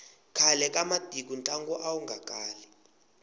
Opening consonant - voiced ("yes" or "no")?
no